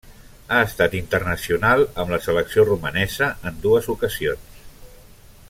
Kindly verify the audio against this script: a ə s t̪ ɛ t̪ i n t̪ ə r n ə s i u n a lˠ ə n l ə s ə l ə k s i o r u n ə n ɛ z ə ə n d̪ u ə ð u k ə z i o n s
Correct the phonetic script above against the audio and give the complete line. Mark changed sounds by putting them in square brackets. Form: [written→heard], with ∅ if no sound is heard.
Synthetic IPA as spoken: a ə s t̪ [ɛ→a] t̪ i n t̪ ə r n ə s i u n a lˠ ə [n→m] l ə s ə l ə k s i o r u [n→m] ə n ɛ z ə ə n d̪ u ə [ð→z] u k ə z i o n s